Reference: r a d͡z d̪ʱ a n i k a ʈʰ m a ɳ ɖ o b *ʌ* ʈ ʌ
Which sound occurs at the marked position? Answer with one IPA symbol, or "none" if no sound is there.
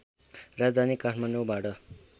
a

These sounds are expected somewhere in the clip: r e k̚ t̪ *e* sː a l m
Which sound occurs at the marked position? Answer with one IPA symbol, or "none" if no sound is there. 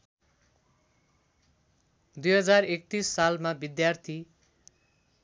i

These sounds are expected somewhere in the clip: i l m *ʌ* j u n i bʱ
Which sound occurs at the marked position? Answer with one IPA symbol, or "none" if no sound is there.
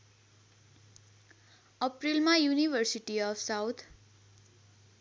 a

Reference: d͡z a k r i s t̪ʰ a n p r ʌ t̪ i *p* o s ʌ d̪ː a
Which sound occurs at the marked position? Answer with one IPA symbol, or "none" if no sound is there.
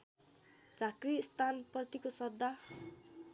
k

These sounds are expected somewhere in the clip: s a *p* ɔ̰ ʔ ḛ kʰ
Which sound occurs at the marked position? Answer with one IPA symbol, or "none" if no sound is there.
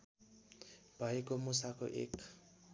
k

